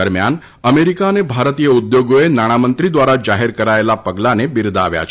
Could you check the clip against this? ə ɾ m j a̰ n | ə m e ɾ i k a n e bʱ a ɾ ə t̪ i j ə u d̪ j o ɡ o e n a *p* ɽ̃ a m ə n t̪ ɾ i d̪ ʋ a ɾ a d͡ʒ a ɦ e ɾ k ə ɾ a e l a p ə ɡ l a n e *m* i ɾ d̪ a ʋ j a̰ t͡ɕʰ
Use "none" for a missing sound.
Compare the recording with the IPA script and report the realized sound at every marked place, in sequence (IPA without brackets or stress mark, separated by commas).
none, b